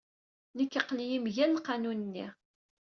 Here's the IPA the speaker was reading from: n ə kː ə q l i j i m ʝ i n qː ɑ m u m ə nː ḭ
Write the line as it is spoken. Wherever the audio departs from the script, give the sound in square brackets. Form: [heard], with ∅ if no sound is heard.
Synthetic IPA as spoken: n ə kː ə q l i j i m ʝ [æ] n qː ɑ [n] u [n] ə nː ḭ